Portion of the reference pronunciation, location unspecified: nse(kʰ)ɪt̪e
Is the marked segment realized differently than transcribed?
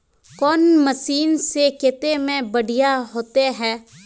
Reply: yes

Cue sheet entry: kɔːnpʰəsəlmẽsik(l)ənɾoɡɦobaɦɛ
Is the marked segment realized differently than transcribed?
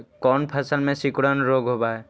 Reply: yes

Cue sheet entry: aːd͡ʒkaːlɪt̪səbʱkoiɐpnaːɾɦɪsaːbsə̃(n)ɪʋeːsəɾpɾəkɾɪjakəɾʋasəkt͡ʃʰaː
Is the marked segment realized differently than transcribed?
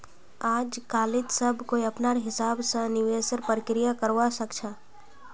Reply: no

